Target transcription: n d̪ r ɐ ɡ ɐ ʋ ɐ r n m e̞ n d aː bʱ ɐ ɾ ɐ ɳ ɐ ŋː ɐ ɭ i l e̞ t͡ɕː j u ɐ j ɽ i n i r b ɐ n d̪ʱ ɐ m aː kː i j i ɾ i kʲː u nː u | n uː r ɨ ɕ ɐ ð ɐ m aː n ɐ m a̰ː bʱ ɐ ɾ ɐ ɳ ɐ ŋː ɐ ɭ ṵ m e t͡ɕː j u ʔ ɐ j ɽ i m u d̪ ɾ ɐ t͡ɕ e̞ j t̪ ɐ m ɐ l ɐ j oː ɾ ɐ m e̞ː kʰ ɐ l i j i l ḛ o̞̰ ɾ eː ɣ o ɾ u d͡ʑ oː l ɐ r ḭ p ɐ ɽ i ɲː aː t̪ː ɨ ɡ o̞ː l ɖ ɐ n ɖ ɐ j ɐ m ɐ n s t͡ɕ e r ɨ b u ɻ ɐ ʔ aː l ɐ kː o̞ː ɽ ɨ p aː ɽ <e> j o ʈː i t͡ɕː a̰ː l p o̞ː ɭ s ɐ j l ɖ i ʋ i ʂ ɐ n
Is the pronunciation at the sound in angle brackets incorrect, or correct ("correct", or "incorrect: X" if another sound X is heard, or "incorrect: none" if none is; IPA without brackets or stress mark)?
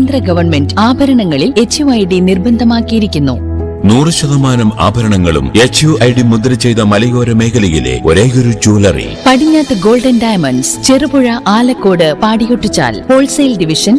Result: incorrect: i